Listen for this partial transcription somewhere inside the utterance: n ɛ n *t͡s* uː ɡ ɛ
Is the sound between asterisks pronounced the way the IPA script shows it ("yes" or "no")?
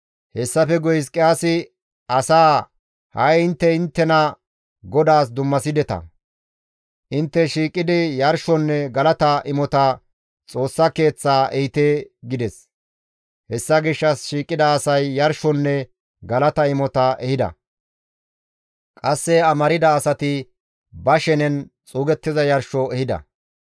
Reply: no